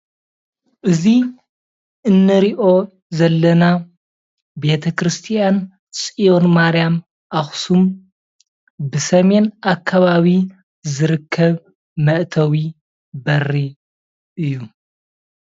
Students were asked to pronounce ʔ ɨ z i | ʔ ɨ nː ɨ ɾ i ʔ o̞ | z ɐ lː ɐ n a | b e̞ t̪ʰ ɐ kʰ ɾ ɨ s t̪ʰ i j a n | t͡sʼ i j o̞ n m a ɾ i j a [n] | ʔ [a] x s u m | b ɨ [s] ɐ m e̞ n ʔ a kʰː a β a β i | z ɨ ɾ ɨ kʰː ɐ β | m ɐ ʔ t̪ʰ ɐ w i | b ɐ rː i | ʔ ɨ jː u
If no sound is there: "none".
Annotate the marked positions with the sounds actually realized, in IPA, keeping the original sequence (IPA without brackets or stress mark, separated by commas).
m, a, s